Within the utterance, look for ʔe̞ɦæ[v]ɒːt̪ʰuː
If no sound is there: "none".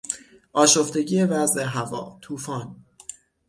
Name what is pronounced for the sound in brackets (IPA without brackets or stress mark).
v